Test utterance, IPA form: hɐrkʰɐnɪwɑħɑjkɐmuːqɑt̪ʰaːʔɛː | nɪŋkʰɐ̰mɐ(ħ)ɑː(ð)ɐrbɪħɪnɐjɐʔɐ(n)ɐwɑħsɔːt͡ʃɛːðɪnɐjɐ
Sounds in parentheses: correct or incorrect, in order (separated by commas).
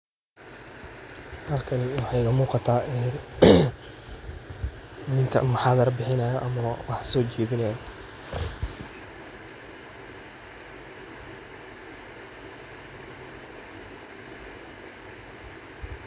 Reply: correct, correct, incorrect